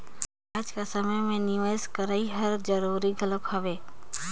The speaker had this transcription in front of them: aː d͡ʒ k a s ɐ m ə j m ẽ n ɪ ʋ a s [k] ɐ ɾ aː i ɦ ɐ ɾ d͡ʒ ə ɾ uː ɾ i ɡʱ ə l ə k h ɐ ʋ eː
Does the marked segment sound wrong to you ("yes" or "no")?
no